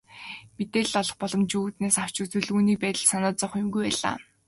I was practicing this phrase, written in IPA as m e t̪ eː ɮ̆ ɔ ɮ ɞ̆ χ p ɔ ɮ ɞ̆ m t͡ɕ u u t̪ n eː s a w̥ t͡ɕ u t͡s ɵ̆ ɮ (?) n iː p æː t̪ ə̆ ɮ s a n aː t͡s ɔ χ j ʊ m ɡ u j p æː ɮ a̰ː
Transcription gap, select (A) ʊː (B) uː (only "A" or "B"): B